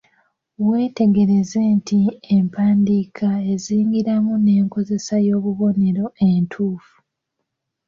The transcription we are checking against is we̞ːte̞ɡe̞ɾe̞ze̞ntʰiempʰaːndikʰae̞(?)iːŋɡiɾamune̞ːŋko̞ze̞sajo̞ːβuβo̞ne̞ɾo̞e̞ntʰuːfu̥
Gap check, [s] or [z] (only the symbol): z